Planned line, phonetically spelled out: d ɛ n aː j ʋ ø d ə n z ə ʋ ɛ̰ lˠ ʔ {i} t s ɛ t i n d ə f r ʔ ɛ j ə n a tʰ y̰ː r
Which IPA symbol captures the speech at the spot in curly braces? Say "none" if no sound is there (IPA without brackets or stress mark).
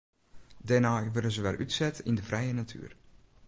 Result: y